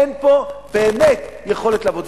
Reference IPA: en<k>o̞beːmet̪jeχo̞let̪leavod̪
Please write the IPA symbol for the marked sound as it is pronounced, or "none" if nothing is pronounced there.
p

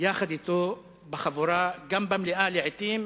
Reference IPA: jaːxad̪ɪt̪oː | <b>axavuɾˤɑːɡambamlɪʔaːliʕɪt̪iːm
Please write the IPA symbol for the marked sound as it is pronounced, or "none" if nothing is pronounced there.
b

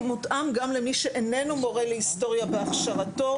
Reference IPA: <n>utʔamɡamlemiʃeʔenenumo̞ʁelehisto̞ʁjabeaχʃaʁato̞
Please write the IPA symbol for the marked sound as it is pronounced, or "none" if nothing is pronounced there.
m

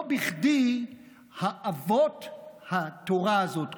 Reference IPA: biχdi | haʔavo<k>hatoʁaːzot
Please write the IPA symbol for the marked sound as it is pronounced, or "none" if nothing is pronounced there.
t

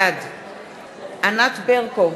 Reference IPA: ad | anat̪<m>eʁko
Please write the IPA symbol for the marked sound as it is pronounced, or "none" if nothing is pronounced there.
b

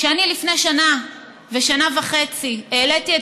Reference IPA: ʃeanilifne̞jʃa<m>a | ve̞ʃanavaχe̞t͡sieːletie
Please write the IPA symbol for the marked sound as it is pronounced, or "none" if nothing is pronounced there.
n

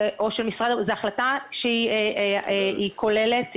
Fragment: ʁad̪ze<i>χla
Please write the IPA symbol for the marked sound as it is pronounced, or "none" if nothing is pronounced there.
a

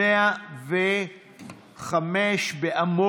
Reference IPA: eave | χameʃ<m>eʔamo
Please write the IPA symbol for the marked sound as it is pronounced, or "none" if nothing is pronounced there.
b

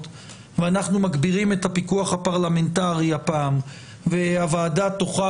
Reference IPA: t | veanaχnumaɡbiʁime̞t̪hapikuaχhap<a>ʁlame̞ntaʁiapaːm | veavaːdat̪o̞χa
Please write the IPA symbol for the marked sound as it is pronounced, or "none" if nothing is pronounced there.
a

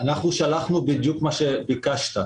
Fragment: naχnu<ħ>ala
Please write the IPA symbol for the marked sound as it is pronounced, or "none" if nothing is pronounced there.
ʃ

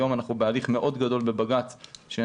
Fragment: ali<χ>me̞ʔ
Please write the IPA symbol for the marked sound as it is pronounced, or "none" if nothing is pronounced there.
χ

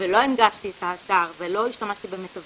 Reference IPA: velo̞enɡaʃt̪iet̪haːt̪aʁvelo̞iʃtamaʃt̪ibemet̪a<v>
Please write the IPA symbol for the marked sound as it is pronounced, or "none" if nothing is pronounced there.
v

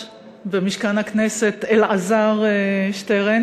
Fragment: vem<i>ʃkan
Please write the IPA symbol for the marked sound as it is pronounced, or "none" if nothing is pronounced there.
i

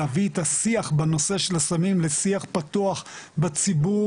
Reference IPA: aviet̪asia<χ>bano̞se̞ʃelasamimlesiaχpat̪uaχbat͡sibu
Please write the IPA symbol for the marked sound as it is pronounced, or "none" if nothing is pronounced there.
χ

